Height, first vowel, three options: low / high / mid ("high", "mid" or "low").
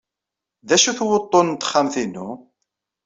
low